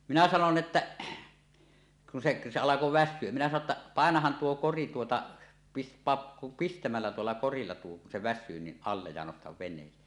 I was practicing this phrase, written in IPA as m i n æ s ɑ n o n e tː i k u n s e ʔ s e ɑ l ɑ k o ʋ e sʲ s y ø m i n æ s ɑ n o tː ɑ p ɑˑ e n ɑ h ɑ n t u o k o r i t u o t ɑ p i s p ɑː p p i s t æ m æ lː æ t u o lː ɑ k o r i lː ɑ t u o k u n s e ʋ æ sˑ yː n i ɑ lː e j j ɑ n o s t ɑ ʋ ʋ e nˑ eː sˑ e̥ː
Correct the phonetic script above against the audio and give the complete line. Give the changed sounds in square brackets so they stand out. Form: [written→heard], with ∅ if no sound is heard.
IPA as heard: m i n æ s ɑ n o n e tː [i→æ] k u n s e ʔ s e ɑ l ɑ k o ʋ [e→æ] sʲ s y ø m i n æ s ɑ n o tː ɑ p ɑˑ e n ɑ h ɑ n t u o k o r i t u o t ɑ p i s p ɑː p p i s t æ m æ lː æ t u o lː ɑ k o r i lː ɑ t u o k u n s e ʋ æ sˑ yː n i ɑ lː e j j ɑ n o s t ɑ ʋ ʋ e nˑ eː sˑ e̥ː